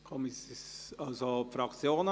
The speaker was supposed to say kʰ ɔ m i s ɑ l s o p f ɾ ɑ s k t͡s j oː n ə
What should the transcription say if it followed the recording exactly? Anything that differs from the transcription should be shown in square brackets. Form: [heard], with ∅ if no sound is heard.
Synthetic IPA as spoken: kʰ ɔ m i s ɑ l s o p f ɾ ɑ [∅] k t͡s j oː n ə

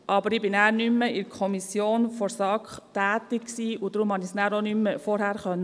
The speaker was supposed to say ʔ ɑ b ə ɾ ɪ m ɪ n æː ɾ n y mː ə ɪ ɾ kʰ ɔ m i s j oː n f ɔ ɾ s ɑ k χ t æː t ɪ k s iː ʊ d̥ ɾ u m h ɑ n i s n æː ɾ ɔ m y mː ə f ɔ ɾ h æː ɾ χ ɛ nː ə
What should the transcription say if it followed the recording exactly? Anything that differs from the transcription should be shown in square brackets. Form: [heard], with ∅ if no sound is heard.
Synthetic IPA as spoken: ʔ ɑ b ə ɾ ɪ [b] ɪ n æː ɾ n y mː ə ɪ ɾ kʰ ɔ m i s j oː n f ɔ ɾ s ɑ k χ t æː t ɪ k s iː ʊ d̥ ɾ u m h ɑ n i s n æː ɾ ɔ [n] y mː ə f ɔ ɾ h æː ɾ χ [œ] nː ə

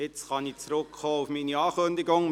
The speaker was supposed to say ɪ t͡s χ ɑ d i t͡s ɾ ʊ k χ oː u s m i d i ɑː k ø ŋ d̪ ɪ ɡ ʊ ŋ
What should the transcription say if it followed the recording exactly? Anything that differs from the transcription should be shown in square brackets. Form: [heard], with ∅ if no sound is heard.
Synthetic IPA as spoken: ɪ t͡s χ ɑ [n] i t͡s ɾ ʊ k χ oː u [f] m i [n] i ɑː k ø [n] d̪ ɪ ɡ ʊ ŋ

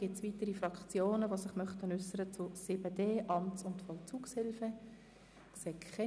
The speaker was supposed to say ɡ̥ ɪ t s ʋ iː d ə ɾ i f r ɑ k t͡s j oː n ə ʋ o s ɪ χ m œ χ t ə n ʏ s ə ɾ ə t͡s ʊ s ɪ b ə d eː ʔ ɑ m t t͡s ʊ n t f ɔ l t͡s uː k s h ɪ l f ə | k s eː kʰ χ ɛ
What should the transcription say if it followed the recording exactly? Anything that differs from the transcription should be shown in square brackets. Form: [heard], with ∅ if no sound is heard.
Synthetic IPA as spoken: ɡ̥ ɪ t s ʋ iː [t] ə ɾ i f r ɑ k t͡s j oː n ə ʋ o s ɪ χ m œ χ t ə n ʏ s ə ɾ ə t͡s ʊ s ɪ b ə d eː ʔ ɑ m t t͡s ʊ n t f ɔ l t͡s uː k s h ɪ l f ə | k s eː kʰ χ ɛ

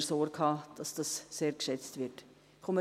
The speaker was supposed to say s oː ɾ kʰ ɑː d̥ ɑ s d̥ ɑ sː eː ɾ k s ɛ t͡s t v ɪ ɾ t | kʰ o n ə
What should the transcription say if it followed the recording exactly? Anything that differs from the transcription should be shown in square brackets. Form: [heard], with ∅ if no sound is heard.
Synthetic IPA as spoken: s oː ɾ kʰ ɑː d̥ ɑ s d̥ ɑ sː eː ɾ k [ʃ] ɛ t͡s t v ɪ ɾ t | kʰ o [m] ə

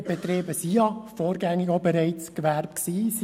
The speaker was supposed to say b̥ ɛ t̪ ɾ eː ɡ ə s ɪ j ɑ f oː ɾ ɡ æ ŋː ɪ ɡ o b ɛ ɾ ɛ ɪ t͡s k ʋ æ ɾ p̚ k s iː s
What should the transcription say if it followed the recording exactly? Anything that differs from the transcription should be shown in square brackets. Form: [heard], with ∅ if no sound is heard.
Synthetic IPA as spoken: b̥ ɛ t̪ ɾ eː [b] ə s [i] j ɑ f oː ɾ ɡ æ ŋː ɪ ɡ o b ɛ ɾ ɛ ɪ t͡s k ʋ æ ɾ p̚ k s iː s

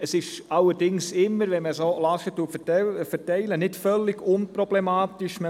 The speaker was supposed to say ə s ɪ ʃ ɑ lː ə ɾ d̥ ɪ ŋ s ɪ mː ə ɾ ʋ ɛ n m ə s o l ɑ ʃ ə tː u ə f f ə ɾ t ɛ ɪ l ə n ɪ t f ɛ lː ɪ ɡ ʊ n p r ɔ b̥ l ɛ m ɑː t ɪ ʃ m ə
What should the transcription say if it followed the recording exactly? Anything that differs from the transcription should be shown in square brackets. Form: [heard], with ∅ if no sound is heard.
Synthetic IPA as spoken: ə s ɪ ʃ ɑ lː ə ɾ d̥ ɪ ŋ s ɪ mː ə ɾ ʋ ɛ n m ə s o l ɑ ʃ ə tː u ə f f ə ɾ t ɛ ɪ l ə n ɪ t f [œ] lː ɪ ɡ ʊ n p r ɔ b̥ l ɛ m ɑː t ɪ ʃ m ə

